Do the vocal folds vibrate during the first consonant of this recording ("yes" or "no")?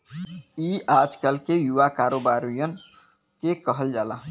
yes